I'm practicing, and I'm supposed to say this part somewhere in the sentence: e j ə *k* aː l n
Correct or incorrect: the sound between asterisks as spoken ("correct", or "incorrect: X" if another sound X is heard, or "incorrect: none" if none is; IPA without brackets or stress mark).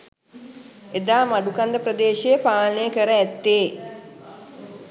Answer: incorrect: p